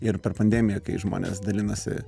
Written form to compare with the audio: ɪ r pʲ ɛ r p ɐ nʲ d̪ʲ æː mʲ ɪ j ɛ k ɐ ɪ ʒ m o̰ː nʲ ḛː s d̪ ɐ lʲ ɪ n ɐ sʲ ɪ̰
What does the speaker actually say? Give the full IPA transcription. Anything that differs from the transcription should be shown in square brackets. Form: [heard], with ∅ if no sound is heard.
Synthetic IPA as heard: ɪ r pʲ ɛ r p ɐ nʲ d̪ʲ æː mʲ ɪ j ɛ k ɐ ɪ ʒ m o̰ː nʲ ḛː s d̪ ɐ lʲ ɪ n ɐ sʲ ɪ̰